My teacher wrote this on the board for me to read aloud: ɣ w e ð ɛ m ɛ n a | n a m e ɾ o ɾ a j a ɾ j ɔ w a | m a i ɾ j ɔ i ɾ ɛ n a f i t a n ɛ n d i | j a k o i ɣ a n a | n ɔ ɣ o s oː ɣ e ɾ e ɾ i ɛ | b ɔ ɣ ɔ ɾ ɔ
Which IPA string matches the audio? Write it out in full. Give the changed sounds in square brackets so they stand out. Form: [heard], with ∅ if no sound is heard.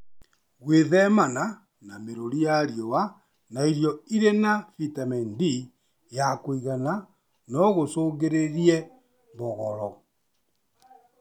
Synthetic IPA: ɣ w e ð ɛ m [a] n a | n a m e ɾ o ɾ [i] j a ɾ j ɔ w a | [n] a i ɾ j ɔ i ɾ [e] n a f i t a [m] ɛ n d i | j a k o i ɣ a n a | n ɔ ɣ o s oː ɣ e ɾ e ɾ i ɛ | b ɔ ɣ ɔ ɾ ɔ